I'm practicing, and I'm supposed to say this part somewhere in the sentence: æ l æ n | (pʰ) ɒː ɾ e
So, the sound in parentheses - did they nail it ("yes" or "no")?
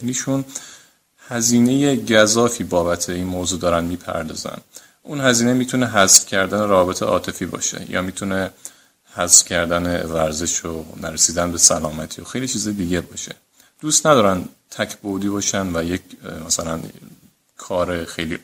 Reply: no